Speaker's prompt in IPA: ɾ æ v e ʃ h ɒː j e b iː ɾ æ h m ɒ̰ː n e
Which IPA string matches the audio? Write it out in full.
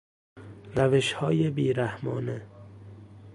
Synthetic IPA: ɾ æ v e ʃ h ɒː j e b iː ɾ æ h m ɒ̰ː n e